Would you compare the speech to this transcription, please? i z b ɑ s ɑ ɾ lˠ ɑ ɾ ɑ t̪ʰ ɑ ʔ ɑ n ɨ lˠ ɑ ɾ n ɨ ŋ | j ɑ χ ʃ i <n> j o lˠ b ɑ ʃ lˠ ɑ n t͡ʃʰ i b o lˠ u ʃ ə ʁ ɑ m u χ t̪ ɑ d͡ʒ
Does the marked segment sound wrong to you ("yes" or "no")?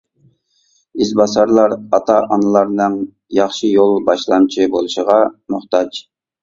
yes